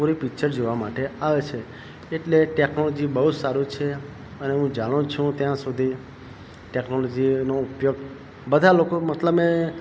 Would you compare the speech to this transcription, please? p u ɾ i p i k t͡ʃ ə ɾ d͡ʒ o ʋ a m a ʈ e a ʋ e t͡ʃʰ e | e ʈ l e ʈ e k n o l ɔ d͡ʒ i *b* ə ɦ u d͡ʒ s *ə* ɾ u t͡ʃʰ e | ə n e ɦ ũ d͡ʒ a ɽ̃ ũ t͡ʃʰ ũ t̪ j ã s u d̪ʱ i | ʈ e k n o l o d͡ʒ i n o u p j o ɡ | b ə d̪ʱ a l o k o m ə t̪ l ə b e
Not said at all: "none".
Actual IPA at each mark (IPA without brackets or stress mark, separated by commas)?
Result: b, a